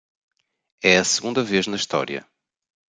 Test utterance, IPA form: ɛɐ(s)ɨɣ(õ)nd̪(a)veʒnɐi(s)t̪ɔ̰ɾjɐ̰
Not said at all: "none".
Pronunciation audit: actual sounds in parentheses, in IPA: s, ũ, ɐ, ʃ

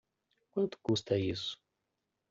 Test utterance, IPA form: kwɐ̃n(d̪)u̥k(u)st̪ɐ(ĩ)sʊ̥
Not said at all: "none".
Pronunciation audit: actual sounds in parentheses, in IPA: t̪, u, i

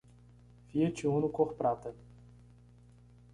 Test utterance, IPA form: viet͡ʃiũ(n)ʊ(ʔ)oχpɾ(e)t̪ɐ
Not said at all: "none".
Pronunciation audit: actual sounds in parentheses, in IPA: n, k, a

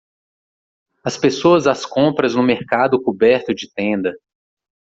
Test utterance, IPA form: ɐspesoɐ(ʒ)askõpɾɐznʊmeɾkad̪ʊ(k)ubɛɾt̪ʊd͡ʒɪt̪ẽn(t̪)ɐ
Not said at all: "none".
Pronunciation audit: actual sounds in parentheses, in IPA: z, k, d̪

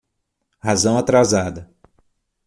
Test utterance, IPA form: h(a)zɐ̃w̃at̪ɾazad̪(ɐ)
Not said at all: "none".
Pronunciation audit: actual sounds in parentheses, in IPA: a, ɐ

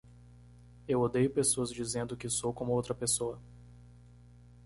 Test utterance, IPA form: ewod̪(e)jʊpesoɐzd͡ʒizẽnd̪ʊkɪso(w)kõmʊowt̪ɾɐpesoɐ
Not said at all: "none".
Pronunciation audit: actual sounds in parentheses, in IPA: e, w

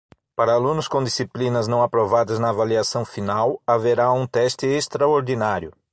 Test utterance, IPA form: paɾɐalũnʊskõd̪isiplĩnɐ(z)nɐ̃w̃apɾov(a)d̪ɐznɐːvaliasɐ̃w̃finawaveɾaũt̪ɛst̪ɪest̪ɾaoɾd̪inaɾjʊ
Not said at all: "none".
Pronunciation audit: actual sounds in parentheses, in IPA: z, a

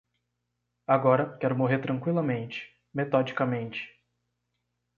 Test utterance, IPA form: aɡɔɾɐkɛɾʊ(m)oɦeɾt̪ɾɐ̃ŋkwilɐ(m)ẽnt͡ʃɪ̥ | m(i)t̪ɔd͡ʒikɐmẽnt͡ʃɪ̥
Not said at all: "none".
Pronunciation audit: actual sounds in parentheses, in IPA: m, m, e

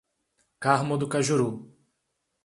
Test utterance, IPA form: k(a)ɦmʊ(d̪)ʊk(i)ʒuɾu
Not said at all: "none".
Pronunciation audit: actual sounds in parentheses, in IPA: a, d̪, a

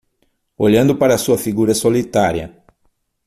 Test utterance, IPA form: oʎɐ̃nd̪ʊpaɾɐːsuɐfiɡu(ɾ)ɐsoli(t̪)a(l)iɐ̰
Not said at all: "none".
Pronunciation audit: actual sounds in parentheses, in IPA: ɾ, t̪, ɾ

